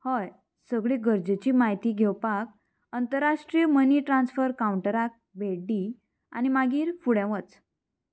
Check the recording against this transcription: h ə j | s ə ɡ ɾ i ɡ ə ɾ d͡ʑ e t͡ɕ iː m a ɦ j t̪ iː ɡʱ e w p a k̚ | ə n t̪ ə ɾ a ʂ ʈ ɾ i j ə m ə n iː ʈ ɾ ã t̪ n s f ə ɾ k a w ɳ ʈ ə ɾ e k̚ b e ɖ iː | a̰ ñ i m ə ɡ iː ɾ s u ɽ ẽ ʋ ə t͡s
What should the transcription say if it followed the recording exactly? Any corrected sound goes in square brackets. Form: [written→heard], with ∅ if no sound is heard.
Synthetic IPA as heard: h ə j | s ə ɡ [ɾ→ɭ] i ɡ ə ɾ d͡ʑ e t͡ɕ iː m a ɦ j t̪ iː ɡʱ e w p a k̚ | ə n t̪ ə ɾ a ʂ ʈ ɾ i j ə m ə n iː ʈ ɾ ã [t̪→∅] n s f ə ɾ k a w ɳ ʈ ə ɾ [e→a] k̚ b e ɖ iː | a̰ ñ i m [ə→a] ɡ iː ɾ [s→f] u ɽ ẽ ʋ ə t͡s